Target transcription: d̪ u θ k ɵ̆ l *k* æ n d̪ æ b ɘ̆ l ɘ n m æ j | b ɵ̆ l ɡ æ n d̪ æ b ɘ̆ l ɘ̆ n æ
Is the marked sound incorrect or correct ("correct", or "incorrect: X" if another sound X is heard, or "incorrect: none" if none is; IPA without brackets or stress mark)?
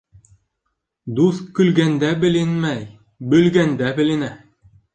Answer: incorrect: ɡ